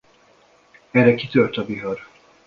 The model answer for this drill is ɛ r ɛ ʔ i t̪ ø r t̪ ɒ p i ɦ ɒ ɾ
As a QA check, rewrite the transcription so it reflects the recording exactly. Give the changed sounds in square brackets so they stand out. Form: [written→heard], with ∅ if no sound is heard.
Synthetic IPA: ɛ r ɛ [ʔ→k] i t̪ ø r t̪ ɒ [p→b] i ɦ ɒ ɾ